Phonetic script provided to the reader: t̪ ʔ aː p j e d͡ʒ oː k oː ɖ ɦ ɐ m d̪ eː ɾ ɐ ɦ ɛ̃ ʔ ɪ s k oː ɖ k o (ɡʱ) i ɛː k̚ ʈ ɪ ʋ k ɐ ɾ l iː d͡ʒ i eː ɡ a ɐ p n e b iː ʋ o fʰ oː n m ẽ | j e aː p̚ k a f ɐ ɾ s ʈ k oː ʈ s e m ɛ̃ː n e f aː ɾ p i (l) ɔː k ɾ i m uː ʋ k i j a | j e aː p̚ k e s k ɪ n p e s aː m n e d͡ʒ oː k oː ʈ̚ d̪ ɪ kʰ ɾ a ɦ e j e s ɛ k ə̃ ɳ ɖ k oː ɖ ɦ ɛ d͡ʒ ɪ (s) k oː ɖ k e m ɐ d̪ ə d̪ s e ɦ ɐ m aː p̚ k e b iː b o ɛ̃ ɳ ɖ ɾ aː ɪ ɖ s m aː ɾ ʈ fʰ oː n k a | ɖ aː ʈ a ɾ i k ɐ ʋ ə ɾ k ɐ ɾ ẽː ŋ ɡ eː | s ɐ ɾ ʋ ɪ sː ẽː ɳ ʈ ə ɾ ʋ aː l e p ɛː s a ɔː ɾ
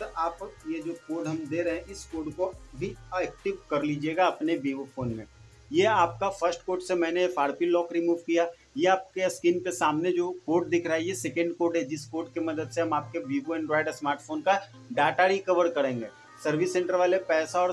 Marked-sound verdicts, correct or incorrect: incorrect: bʱ, correct, correct

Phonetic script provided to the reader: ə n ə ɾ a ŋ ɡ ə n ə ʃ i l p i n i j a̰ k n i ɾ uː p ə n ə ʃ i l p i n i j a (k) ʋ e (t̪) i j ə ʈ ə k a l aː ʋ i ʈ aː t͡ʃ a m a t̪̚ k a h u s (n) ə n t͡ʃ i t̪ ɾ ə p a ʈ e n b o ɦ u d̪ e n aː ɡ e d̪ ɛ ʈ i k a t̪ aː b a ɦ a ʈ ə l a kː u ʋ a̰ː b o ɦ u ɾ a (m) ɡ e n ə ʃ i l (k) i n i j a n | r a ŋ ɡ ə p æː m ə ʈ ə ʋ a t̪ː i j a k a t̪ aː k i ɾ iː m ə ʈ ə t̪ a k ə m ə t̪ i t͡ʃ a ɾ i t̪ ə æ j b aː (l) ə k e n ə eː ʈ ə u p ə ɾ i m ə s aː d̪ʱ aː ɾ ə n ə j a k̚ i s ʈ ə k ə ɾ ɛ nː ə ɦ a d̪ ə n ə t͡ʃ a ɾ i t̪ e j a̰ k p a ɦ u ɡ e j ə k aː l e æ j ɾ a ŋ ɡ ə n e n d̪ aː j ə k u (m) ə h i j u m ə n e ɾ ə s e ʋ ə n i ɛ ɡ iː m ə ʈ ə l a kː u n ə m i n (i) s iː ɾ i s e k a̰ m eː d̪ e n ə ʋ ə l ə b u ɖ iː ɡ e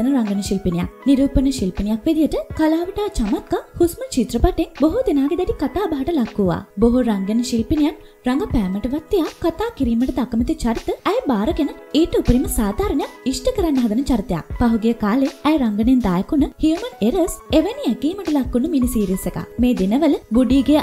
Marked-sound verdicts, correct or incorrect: correct, incorrect: d̪, incorrect: m, incorrect: ŋ, incorrect: p, incorrect: ɾ, incorrect: n, correct

